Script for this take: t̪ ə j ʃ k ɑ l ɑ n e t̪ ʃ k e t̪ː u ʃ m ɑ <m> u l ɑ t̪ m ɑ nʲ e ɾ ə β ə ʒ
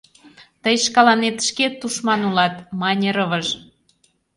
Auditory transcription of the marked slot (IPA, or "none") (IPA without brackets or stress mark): n